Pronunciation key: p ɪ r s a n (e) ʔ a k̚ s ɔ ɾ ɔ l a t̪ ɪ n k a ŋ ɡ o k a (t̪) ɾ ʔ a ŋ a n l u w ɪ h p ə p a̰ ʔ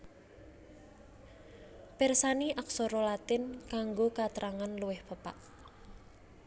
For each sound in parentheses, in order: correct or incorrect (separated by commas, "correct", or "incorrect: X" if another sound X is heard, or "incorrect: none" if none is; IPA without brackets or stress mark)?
incorrect: i, correct